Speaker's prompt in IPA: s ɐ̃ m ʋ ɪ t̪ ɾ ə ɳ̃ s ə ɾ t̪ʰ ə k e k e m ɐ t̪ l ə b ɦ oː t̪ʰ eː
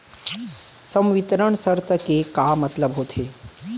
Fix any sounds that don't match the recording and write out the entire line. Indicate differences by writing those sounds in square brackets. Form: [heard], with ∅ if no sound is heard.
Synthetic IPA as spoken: s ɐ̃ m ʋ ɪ t̪ ɾ ə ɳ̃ s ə ɾ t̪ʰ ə k e k [a] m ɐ t̪ l ə b ɦ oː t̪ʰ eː